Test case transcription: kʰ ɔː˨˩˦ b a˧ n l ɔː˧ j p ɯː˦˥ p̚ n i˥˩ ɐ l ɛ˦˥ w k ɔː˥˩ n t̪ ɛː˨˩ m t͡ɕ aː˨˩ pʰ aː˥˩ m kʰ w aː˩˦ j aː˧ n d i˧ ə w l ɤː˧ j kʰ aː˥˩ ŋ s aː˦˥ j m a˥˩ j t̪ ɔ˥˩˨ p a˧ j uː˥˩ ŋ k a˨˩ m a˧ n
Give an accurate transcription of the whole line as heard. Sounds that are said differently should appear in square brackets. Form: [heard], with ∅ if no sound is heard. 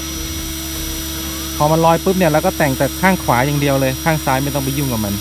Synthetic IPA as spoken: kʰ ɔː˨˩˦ [m] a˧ n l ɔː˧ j p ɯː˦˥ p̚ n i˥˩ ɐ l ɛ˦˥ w k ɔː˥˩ [∅] t̪ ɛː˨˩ [ŋ] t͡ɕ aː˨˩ [kʰ] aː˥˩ [ŋ] kʰ w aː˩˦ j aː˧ [ŋ] d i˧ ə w l ɤː˧ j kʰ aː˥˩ ŋ s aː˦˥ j m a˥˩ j t̪ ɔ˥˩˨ p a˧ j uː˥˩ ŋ k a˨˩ m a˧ n